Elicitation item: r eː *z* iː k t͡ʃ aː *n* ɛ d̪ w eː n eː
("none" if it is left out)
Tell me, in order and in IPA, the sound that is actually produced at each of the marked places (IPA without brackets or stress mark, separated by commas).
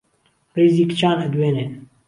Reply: z, n